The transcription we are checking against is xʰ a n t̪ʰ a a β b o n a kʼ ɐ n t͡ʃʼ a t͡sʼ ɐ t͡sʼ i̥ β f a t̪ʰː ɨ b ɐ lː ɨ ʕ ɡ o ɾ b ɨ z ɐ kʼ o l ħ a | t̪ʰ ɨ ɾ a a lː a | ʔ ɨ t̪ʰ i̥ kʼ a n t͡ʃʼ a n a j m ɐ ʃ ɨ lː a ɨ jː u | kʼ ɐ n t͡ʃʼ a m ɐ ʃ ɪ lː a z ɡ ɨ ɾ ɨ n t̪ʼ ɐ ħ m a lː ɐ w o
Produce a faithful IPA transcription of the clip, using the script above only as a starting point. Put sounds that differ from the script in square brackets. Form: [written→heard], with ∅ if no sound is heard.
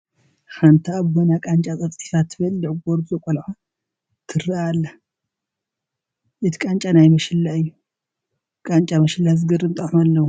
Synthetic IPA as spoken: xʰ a n t̪ʰ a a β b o n a kʼ [ɐ→a] n t͡ʃʼ a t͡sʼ ɐ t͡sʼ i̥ [β→∅] f a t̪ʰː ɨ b ɐ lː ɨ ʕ ɡ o ɾ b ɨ z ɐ kʼ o l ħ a | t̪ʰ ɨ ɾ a a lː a | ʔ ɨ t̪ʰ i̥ kʼ a n t͡ʃʼ a n a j m ɐ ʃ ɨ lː a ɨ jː u | kʼ [ɐ→a] n t͡ʃʼ a m ɐ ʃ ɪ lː a z ɡ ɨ ɾ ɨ n t̪ʼ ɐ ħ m a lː ɐ w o

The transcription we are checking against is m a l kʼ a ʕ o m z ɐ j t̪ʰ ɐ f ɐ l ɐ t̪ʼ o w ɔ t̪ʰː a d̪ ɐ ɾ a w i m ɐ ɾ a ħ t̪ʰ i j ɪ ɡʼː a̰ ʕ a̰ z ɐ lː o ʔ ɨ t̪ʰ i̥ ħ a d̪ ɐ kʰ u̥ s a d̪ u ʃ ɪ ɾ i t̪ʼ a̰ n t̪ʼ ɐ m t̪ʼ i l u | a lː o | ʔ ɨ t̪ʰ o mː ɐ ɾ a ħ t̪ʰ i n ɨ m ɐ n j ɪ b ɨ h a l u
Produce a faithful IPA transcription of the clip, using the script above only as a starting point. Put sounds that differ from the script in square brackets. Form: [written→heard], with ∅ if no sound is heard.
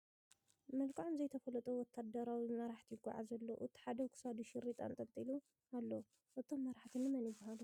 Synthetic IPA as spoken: m [a→ɐ] l kʼ a ʕ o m z ɐ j t̪ʰ ɐ f ɐ l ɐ t̪ʼ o w ɔ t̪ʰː a d̪ ɐ ɾ a w i m ɐ ɾ a ħ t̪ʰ i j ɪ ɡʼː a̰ ʕ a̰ z ɐ lː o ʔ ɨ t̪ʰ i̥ ħ a d̪ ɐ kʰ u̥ s a d̪ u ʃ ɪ ɾ i t̪ʼ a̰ n t̪ʼ ɐ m t̪ʼ i l u | a lː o | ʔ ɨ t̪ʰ o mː ɐ ɾ a ħ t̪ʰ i n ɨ m ɐ n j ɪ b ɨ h a l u

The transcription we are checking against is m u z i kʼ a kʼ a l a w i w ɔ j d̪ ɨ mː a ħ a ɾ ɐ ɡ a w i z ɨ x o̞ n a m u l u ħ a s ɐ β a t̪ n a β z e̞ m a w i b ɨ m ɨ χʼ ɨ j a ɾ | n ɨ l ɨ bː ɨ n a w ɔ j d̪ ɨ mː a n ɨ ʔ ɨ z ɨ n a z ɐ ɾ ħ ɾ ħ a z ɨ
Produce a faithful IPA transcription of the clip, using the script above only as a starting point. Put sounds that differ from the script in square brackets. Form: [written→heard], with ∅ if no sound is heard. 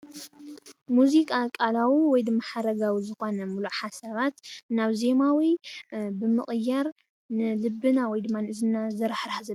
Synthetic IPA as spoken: m u z i kʼ a kʼ a l a w i w ɔ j d̪ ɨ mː a ħ a ɾ ɐ ɡ a w i z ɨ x o̞ n [a→ɐ] m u l u ħ a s ɐ β a t̪ n a β z e̞ m a w i b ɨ m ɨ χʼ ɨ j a ɾ | n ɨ l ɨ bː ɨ n a w ɔ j d̪ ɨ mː a n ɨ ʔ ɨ z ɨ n a z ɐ ɾ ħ ɾ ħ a z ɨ

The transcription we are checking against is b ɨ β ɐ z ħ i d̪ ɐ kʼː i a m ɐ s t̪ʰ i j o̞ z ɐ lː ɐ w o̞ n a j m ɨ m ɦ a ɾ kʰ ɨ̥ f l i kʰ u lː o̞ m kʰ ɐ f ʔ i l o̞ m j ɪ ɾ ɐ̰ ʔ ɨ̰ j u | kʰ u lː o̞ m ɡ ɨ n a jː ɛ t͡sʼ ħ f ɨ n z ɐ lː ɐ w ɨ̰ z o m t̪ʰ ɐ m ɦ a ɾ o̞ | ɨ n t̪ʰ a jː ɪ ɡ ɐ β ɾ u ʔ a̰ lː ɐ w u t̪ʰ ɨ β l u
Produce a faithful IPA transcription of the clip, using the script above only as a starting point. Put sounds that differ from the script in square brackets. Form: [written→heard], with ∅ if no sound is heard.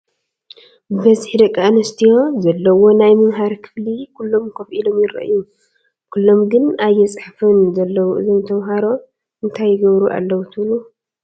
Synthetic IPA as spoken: b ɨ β ɐ z ħ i d̪ ɐ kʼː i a [m→n] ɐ s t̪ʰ i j o̞ z ɐ lː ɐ w o̞ n a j m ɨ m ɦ a ɾ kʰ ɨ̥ f l i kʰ u lː o̞ m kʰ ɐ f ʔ i l o̞ m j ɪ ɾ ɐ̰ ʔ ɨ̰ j u | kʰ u lː o̞ m ɡ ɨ n a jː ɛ t͡sʼ ħ f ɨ n z ɐ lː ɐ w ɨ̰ z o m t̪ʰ ɐ m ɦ a ɾ o̞ | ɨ n t̪ʰ a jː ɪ ɡ ɐ β ɾ u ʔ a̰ lː ɐ w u t̪ʰ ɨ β l u

